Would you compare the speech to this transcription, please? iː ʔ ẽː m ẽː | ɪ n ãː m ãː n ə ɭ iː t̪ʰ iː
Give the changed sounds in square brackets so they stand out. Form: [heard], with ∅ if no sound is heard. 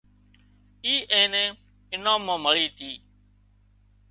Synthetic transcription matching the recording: iː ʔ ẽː [n] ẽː | ɪ n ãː m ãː [m] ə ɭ iː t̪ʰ iː